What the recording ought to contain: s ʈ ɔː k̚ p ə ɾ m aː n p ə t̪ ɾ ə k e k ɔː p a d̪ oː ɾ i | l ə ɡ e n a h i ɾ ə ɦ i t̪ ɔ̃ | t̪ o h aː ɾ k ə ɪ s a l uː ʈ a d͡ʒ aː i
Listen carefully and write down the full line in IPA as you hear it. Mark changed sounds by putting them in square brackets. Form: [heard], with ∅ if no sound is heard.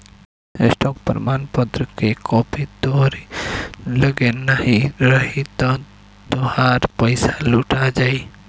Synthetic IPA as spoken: s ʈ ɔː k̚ p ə ɾ m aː n p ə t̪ ɾ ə k e k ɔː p [i] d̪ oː ɾ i | l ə ɡ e n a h i ɾ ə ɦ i t̪ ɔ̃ | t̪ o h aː ɾ [p] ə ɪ s a l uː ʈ a d͡ʒ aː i